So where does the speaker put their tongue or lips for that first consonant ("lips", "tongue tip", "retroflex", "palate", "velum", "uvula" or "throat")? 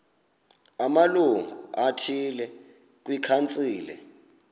lips